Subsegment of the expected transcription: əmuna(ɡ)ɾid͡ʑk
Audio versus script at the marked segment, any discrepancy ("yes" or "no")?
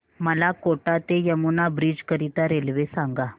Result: yes